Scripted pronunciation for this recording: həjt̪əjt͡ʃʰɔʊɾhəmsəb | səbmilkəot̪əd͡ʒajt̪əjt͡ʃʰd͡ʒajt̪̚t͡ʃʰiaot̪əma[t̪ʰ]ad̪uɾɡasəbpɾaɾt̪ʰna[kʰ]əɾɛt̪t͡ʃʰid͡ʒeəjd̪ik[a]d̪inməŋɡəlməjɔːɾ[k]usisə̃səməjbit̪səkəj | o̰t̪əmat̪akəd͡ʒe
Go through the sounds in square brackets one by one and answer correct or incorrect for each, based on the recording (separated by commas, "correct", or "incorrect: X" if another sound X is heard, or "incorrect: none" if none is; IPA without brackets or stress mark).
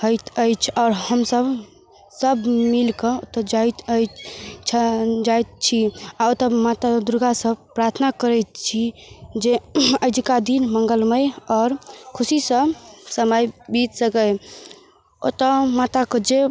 incorrect: t̪, incorrect: k, correct, incorrect: kʰ